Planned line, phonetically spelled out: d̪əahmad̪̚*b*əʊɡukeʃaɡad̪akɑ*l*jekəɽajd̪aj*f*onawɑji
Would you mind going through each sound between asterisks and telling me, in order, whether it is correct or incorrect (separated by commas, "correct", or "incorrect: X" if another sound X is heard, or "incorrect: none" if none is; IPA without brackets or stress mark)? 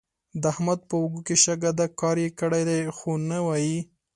incorrect: p, incorrect: ɾ, incorrect: x